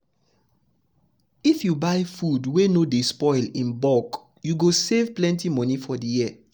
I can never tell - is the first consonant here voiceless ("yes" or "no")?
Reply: yes